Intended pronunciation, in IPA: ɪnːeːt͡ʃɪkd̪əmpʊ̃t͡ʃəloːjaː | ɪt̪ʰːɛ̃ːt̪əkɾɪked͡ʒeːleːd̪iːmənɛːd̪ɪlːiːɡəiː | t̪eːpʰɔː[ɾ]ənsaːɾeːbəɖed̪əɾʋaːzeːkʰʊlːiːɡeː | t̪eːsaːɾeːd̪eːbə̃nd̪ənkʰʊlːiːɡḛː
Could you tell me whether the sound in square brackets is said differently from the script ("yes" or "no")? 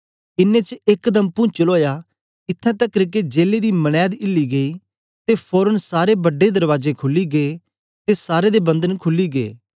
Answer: no